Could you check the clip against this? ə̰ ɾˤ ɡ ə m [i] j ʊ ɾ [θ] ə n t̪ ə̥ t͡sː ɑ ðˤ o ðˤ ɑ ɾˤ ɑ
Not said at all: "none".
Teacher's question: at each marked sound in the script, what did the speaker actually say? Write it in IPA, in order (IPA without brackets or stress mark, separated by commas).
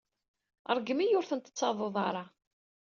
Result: i, θ